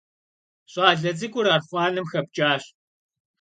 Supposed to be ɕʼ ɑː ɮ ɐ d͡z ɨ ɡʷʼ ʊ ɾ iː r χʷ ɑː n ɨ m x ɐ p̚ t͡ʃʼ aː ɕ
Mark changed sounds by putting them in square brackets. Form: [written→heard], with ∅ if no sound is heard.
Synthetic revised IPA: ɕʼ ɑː ɮ ɐ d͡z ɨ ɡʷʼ ʊ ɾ [iː→aː] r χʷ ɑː n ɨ m x ɐ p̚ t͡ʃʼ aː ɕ